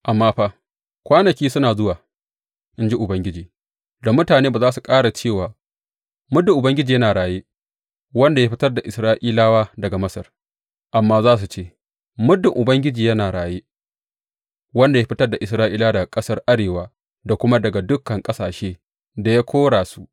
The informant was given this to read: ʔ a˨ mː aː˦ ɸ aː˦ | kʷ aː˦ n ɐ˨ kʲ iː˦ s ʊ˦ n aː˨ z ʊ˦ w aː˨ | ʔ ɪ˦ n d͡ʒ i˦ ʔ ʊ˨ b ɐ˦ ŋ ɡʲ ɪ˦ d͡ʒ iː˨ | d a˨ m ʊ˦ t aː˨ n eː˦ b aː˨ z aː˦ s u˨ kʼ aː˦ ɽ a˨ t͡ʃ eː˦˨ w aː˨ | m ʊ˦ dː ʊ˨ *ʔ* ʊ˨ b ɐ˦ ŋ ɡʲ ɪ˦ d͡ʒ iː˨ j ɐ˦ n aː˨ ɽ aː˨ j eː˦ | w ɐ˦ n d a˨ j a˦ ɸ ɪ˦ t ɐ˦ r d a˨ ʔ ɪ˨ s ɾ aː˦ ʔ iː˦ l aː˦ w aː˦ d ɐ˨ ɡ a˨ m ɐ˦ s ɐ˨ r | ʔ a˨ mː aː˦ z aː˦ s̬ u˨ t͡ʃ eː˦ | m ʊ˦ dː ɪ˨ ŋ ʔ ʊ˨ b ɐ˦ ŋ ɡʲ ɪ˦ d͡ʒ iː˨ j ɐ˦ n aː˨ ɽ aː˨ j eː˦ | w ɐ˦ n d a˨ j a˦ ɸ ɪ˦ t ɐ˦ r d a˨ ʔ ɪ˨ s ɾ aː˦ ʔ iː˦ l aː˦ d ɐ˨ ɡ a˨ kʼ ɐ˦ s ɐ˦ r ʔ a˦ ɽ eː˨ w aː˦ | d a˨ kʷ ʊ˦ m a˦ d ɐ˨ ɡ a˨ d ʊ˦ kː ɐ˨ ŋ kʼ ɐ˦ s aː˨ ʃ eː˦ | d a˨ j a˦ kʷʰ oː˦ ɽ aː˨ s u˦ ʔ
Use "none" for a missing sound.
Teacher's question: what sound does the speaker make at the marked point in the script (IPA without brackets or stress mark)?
ʔ